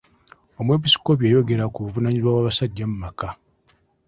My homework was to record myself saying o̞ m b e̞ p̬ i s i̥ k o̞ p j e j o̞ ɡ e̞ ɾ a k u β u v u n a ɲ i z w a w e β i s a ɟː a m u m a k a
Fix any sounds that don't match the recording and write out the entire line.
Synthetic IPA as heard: o̞ m w e̞ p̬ i s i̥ k o̞ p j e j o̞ ɡ e̞ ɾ a k u β u v u n a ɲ i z w a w a β a s a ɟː a m u m a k a